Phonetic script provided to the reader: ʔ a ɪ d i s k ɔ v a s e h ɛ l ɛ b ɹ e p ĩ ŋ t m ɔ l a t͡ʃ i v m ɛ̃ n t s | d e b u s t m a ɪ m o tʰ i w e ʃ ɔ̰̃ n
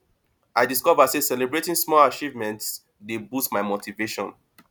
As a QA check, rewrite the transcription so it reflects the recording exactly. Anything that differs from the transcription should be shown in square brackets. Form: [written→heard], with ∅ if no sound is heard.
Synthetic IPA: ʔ a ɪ d i s k ɔ v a s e [h→s] ɛ l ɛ b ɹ e [p→t] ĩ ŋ [t→s] m ɔ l a t͡ʃ i v m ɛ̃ n t s | d e b u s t m a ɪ m o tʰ i [w→v] e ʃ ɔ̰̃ n

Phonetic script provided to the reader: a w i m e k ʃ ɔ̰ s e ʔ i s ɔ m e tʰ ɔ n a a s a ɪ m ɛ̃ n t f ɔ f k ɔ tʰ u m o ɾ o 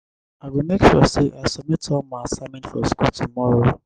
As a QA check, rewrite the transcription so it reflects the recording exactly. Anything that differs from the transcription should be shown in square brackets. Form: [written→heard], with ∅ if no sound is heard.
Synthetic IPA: a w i m e k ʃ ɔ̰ s e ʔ [i→a] s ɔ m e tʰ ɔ [n→m] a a s a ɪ m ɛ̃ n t f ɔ [f→s] k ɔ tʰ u m [o→ɔ] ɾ o

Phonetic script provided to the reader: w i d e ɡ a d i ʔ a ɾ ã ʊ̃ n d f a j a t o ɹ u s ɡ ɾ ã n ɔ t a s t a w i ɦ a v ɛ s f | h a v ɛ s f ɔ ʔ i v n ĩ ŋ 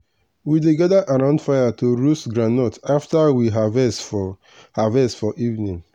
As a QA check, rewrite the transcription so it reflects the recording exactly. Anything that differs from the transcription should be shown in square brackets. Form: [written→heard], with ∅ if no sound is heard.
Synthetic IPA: w i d e ɡ a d [i→a] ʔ a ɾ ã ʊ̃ n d f a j a t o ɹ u s ɡ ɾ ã n ɔ t a [s→f] t a w i ɦ a v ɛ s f | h a v ɛ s f ɔ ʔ i v n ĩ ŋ

